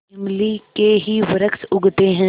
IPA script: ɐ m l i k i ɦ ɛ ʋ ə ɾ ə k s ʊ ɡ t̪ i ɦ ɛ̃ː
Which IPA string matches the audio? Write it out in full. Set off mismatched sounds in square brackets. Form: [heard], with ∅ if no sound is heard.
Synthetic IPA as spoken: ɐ m l i k [e] ɦ [i] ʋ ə ɾ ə k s ʊ ɡ t̪ [e] ɦ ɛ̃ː